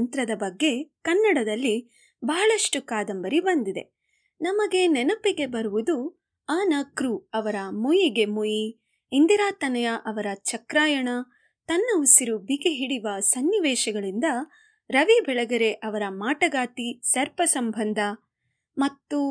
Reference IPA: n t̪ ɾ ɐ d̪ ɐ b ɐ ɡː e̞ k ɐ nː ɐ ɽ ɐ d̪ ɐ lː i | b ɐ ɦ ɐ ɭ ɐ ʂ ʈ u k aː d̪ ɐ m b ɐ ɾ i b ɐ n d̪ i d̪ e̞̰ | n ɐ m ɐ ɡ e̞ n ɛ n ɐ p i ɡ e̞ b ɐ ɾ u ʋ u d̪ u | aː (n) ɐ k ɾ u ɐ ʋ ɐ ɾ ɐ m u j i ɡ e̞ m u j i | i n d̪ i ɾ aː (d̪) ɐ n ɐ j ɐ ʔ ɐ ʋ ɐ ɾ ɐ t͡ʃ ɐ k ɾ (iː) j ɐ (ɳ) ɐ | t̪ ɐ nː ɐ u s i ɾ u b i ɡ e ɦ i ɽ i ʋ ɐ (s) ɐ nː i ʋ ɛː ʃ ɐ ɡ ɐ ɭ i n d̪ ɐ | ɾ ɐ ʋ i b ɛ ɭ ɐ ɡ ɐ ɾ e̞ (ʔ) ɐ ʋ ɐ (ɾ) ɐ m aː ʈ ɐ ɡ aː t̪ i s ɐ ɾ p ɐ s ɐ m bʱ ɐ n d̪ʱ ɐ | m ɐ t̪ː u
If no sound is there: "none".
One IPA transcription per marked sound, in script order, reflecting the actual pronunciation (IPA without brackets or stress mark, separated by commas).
n, t̪, aː, ɳ, s, ʔ, ɾ